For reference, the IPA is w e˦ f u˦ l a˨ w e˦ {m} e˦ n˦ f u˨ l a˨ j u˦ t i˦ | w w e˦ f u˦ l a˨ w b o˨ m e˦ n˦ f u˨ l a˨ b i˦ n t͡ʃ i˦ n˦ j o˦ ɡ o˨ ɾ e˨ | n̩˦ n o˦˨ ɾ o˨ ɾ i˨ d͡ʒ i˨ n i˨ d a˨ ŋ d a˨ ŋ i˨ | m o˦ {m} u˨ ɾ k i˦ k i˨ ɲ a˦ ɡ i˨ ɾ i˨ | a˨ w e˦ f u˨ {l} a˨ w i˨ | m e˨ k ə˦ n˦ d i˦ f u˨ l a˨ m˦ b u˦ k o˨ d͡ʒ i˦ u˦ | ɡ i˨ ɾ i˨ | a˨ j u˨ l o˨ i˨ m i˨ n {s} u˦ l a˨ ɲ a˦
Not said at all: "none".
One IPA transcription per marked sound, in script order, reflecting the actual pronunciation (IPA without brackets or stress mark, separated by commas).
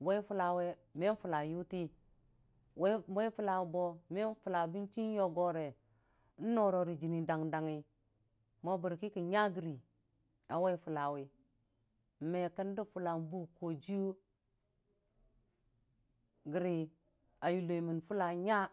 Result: m, b, l, f